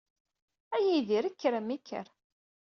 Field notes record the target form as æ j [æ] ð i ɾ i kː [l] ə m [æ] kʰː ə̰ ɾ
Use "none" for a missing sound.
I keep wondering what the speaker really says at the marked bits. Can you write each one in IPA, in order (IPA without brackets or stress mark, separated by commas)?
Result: i, ɾ, i